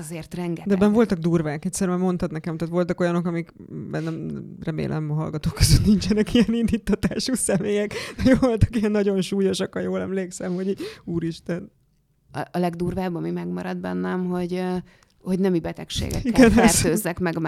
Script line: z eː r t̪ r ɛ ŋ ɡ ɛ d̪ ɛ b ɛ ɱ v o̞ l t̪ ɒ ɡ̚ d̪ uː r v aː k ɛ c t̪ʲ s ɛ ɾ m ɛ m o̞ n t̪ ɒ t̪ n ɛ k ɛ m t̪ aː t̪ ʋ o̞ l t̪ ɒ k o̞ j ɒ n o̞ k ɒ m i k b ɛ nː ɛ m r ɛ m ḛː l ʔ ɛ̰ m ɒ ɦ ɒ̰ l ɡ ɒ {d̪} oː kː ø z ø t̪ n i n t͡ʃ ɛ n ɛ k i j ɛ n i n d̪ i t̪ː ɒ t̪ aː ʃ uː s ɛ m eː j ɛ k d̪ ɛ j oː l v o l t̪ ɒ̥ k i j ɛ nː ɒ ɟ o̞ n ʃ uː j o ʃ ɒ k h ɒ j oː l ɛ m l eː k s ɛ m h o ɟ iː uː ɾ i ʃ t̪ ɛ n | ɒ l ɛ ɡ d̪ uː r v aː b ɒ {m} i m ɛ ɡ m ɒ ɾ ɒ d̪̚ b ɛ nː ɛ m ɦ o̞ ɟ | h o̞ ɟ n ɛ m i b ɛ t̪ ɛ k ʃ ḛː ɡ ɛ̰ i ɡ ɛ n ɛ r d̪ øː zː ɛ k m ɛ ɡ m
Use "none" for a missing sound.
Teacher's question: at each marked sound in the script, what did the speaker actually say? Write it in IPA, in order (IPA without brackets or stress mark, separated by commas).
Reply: t̪, m